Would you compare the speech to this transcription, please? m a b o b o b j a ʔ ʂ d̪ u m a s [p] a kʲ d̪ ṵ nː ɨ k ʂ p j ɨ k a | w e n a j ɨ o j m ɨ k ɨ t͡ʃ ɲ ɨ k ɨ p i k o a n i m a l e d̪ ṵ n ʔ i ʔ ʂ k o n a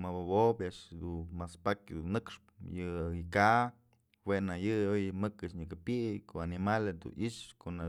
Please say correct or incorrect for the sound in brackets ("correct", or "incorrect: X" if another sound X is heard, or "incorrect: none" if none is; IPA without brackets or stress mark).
correct